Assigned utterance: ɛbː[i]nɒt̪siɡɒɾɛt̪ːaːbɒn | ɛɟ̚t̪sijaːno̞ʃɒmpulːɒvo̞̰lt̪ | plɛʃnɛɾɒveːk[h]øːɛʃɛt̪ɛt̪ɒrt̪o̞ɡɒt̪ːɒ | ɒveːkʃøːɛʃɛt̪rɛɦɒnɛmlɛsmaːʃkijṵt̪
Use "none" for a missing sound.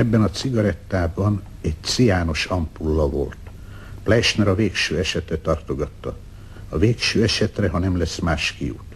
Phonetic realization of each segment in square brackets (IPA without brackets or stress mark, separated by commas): ɛ, ʃ